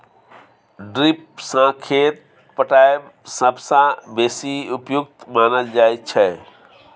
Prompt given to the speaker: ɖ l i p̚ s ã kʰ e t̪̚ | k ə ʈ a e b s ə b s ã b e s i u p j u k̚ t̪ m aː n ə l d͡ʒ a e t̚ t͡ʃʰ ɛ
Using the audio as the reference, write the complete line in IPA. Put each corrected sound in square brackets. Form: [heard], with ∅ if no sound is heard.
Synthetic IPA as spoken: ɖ [ɾ] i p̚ s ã kʰ e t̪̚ | [p] ə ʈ a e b s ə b s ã b e s i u p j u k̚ t̪ m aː n ə l d͡ʒ a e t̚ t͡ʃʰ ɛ